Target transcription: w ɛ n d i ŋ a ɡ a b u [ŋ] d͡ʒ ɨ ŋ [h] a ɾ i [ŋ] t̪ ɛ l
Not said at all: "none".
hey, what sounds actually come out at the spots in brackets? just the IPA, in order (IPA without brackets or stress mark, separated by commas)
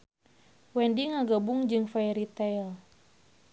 ŋ, f, none